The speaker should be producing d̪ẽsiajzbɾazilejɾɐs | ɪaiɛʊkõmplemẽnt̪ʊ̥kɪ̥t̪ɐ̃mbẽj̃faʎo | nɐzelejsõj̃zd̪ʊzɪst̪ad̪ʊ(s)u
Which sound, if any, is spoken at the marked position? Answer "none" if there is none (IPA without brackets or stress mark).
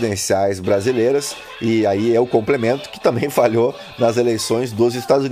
z